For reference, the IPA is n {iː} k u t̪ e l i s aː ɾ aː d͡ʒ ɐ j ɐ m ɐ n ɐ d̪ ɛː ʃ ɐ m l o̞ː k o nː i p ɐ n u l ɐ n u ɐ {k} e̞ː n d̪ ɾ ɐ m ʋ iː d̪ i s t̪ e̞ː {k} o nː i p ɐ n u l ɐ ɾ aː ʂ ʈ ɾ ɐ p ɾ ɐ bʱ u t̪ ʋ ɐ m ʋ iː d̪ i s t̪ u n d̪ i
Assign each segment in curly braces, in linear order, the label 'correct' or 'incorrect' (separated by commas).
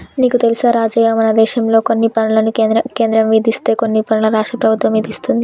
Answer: correct, correct, correct